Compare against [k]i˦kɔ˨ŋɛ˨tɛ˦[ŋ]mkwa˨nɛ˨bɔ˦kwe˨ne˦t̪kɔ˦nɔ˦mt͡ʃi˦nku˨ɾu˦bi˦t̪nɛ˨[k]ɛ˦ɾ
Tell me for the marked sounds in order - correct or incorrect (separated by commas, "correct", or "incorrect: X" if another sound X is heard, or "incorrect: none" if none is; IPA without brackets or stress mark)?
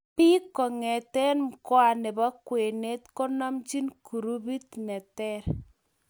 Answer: incorrect: p, incorrect: n, incorrect: t